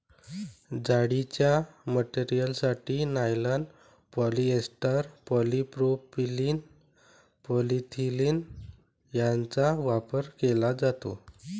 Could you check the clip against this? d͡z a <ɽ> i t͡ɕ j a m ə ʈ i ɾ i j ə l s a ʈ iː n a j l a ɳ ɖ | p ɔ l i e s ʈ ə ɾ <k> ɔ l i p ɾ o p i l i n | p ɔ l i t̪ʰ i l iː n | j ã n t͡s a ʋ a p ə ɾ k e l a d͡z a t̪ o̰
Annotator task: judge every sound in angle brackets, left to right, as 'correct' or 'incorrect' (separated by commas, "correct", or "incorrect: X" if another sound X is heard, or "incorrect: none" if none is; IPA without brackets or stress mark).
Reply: correct, incorrect: p